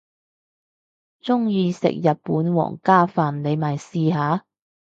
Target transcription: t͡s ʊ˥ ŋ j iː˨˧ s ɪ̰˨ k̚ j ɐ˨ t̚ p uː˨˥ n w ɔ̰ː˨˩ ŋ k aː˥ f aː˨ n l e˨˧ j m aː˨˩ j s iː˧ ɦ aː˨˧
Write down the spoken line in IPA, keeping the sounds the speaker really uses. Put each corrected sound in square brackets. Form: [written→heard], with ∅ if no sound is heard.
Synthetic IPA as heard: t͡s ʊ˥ ŋ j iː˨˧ s ɪ̰˨ k̚ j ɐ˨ t̚ p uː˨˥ n w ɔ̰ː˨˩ ŋ k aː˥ f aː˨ n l e˨˧ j m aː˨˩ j s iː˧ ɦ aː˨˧